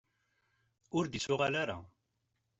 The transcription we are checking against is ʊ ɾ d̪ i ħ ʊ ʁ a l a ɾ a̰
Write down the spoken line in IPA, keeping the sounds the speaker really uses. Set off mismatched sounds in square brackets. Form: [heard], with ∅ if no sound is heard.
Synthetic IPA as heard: ʊ ɾ d̪ i [s] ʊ ʁ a l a ɾ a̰